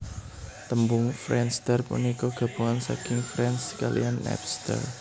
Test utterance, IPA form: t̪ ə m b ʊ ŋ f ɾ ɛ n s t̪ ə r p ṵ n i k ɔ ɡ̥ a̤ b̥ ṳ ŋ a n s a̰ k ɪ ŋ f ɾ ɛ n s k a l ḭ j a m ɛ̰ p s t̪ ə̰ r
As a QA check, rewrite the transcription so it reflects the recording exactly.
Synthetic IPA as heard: t̪ ə m b ʊ ŋ f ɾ ɛ n s t̪ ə r p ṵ n i k ɔ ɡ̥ a̤ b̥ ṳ ŋ a n s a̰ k ɪ ŋ f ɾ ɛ n s k a l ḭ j a n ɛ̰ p s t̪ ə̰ r